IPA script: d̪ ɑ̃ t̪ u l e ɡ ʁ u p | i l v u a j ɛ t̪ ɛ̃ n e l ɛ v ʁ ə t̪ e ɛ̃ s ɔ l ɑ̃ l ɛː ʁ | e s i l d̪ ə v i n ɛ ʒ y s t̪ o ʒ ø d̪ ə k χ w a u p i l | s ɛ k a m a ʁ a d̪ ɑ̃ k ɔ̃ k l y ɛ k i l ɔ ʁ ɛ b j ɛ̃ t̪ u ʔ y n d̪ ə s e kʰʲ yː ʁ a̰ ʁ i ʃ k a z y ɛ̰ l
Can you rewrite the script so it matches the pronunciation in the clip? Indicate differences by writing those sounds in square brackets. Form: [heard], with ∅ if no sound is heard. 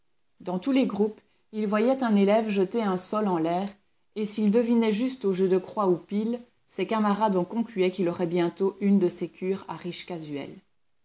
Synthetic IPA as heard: d̪ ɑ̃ t̪ u l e ɡ ʁ u p | i l v [w] a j ɛ t̪ ɛ̃ n e l ɛ v [ʒ] ə t̪ e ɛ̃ s ɔ l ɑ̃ l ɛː ʁ | e s i l d̪ ə v i n ɛ ʒ y s t̪ o ʒ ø d̪ ə k χ w a u p i l | s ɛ k a m a ʁ a d̪ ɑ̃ k ɔ̃ k l y ɛ k i l ɔ ʁ ɛ b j ɛ̃ t̪ [o] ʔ y n d̪ ə s e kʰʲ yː ʁ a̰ ʁ i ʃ k a z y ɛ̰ l

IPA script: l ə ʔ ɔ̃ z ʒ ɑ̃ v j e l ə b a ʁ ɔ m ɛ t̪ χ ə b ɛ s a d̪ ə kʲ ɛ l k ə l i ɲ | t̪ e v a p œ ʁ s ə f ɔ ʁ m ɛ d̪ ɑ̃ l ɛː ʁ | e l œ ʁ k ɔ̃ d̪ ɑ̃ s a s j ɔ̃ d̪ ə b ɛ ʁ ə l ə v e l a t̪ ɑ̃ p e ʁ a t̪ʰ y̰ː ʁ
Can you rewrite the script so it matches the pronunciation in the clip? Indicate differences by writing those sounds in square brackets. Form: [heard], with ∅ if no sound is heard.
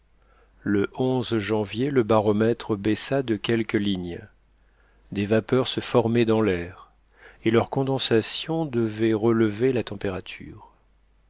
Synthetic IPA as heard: l ə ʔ ɔ̃ z ʒ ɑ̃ v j e l ə b a ʁ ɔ m ɛ t̪ χ ə b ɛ s a d̪ ə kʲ ɛ l k ə l i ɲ | [d̪] e v a p œ ʁ s ə f ɔ ʁ m ɛ d̪ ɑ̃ l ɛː ʁ | e l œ ʁ k ɔ̃ d̪ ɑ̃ s a s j ɔ̃ d̪ ə [v] ɛ ʁ ə l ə v e l a t̪ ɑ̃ p e ʁ a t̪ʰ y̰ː ʁ

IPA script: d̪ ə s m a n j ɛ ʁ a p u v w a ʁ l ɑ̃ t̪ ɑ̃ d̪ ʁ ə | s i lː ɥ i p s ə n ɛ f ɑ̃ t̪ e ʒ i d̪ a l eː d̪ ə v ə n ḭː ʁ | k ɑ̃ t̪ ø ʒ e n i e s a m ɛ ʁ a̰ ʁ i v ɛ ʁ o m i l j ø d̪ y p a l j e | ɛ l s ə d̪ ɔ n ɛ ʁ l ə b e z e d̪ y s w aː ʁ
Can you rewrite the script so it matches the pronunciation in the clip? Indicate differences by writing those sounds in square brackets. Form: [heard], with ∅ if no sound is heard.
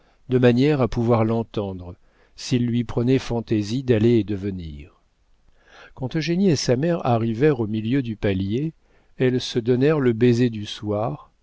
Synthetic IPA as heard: d̪ ə [∅] m a n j ɛ ʁ a p u v w a ʁ l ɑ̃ t̪ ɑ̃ d̪ ʁ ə | s i lː ɥ i p [χ] ə n ɛ f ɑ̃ t̪ e [z] i d̪ a l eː d̪ ə v ə n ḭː ʁ | k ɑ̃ t̪ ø ʒ e n i e s a m ɛ ʁ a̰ ʁ i v ɛ ʁ o m i l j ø d̪ y p a l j e | ɛ l s ə d̪ ɔ n ɛ ʁ l ə b e z e d̪ y s w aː ʁ

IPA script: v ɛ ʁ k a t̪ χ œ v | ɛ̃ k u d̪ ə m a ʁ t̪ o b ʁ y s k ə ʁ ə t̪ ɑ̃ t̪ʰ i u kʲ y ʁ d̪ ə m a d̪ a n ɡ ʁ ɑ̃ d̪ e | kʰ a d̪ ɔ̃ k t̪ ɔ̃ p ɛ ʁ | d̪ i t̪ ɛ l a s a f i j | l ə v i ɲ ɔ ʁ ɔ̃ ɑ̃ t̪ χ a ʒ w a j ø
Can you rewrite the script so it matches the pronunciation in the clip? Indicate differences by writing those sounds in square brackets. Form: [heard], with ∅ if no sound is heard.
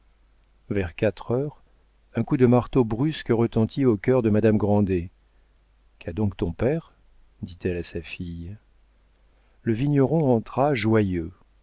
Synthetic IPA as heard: v ɛ ʁ k a t̪ χ œ [ʁ] | ɛ̃ k u d̪ ə m a ʁ t̪ o b ʁ y s k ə ʁ ə t̪ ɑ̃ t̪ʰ i [o] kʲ [œ] ʁ d̪ ə m a d̪ a [m] ɡ ʁ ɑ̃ d̪ e | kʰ a d̪ ɔ̃ k t̪ ɔ̃ p ɛ ʁ | d̪ i t̪ ɛ l a s a f i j | l ə v i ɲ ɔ ʁ ɔ̃ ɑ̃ t̪ χ a ʒ w a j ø

